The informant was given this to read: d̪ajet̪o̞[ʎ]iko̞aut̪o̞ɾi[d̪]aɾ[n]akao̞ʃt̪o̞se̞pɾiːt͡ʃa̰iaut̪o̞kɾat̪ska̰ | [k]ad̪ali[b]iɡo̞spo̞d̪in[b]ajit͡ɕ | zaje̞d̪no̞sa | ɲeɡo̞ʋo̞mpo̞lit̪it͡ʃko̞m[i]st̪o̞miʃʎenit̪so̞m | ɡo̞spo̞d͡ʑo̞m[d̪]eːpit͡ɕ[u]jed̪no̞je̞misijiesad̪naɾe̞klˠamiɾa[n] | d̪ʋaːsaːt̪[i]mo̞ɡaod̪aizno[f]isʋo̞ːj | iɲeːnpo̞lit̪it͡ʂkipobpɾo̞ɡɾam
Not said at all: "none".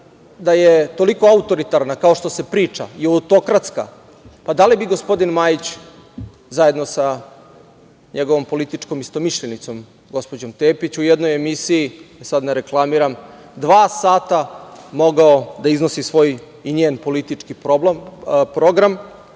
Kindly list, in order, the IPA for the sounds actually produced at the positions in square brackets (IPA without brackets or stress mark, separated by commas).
l, t̪, n, p, b, m, i, t̪, u, m, a, s